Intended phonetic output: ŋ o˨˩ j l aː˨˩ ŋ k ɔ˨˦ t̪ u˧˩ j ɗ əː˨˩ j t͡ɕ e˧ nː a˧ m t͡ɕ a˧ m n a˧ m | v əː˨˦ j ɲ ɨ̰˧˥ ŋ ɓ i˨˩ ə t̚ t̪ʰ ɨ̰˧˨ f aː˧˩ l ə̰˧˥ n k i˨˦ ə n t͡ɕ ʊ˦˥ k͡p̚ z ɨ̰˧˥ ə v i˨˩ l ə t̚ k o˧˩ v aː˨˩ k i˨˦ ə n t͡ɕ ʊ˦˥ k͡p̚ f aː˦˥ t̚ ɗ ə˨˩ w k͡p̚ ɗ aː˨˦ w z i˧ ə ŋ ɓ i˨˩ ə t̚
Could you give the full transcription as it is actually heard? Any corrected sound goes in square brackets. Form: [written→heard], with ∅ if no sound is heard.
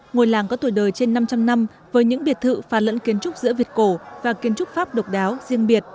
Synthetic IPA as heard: ŋ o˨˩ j l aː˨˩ ŋ k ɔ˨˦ t̪ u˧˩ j ɗ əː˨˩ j t͡ɕ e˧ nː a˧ m t͡ɕ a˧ m n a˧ m | v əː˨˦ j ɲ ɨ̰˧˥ ŋ ɓ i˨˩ ə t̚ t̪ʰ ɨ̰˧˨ f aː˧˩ l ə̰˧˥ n k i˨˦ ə n t͡ɕ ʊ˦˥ k͡p̚ z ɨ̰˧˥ ə v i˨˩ [l→∅] ə t̚ k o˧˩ v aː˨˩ k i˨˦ ə n t͡ɕ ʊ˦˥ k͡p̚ f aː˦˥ [t̚→p̚] ɗ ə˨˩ w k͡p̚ ɗ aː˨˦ w z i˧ ə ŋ ɓ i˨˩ ə t̚